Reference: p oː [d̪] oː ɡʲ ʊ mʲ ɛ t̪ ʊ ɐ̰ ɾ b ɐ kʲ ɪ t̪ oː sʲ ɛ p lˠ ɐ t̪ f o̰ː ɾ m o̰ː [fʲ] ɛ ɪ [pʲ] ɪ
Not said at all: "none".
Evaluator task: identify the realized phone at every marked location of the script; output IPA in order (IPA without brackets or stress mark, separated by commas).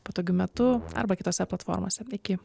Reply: t̪, sʲ, kʲ